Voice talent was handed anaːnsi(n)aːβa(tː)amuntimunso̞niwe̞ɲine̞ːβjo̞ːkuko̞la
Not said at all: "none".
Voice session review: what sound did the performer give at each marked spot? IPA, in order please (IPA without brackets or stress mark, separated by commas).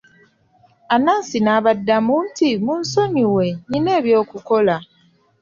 n, dː